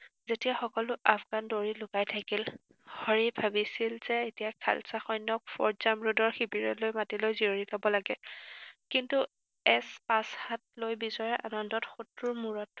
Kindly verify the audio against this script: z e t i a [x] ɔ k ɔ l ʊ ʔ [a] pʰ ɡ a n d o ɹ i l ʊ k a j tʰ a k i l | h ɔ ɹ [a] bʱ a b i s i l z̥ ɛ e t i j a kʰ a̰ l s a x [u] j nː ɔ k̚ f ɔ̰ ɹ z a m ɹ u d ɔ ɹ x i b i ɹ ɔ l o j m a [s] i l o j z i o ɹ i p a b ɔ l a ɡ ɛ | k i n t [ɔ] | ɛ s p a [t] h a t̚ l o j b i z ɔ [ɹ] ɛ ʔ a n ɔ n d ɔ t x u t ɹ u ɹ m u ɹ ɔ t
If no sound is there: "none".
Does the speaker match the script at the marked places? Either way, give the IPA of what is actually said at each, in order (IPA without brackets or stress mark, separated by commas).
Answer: x, a, i, ɔ, t, u, s, ɹ